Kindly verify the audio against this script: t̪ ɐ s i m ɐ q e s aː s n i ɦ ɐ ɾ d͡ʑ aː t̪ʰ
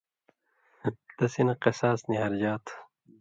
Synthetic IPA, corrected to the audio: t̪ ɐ s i n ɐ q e s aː s n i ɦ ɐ ɾ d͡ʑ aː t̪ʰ